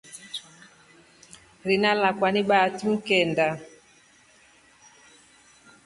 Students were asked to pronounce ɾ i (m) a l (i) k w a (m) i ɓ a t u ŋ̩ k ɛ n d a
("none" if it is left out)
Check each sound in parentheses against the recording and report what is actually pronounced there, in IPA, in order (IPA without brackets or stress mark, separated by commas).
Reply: n, a, n